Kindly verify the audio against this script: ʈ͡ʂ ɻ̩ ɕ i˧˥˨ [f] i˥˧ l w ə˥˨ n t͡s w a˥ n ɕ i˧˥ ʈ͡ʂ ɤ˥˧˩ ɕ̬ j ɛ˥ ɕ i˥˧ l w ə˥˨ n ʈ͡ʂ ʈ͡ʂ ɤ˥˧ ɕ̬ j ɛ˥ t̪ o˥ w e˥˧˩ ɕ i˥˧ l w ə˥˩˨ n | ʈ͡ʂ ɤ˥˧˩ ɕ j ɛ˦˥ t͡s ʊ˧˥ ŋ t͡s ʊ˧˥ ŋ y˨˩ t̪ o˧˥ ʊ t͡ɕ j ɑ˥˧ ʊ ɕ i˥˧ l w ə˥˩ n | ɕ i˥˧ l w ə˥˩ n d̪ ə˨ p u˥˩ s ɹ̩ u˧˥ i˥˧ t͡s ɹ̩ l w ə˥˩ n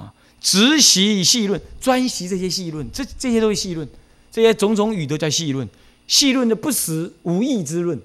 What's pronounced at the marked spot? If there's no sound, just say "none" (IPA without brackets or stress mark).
ɕ